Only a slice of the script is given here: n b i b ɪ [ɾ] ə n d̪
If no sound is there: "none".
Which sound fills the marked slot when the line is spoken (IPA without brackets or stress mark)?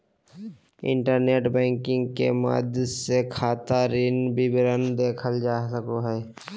ɾ